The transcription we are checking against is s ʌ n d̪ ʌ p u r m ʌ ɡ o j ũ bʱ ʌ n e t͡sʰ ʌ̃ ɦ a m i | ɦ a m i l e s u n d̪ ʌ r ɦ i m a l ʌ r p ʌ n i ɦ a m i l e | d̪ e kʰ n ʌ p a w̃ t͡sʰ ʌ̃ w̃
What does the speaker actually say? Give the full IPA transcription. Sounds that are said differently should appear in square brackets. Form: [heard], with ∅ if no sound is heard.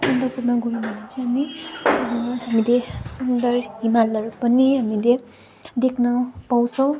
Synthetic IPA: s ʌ n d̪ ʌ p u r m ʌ ɡ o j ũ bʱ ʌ n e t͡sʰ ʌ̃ ɦ a m i | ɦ a m i l e s u n d̪ ʌ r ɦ i m a l ʌ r p ʌ n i ɦ a m i l e | d̪ e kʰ n ʌ p a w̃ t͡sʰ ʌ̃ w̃